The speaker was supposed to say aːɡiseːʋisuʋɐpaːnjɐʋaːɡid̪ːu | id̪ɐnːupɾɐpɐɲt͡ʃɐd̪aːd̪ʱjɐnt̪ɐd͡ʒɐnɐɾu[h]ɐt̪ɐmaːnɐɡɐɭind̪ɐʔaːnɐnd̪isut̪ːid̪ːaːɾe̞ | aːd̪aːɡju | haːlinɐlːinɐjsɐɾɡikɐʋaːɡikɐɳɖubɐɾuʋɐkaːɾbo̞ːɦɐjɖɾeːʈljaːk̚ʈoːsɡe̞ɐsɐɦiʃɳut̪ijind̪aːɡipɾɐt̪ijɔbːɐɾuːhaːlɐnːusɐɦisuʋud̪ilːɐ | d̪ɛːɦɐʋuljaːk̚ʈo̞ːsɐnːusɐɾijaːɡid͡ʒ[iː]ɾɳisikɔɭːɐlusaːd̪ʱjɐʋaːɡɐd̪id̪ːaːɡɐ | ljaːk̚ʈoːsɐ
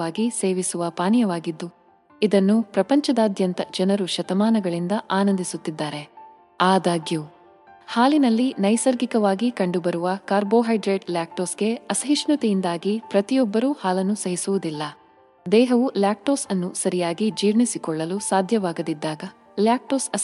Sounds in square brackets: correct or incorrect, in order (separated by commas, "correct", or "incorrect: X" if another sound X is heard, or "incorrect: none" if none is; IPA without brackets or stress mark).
incorrect: ʃ, correct